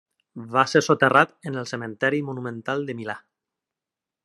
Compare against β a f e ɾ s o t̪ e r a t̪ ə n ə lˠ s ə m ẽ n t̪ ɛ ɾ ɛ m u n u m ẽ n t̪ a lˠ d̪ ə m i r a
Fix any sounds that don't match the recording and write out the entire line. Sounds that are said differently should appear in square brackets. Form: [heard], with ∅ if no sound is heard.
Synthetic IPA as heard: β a [s] e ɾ s o t̪ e r a t̪ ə n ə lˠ s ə m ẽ n t̪ ɛ ɾ [i] m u n u m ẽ n t̪ a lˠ d̪ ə m i [l] a